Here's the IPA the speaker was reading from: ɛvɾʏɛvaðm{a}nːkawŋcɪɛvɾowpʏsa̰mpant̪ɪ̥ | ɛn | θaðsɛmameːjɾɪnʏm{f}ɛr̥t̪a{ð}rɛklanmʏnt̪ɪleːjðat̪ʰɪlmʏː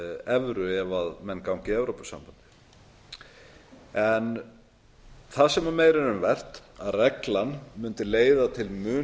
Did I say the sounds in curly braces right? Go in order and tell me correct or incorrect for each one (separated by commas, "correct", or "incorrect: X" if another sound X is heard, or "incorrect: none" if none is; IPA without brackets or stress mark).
incorrect: ɛ, incorrect: v, correct